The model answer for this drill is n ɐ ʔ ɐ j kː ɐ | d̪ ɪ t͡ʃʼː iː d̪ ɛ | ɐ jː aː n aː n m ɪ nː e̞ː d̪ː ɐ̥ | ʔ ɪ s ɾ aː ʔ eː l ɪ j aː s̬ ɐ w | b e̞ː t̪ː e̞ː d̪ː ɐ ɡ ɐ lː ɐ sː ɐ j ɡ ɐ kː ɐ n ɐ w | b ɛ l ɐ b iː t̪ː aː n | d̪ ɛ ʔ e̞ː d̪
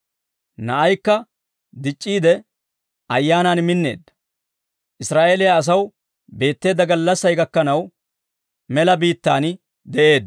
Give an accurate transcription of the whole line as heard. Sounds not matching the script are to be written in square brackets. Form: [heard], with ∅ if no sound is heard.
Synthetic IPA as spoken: n ɐ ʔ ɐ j kː ɐ | d̪ ɪ t͡ʃʼː iː d̪ ɛ | ɐ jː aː n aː n m ɪ nː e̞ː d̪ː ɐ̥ | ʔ ɪ s ɾ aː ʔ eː l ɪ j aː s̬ ɐ w | b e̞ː t̪ː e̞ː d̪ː ɐ ɡ ɐ lː ɐ sː ɐ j ɡ ɐ kː ɐ n ɐ w | [m] ɛ l ɐ b iː t̪ː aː n | d̪ ɛ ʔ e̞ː d̪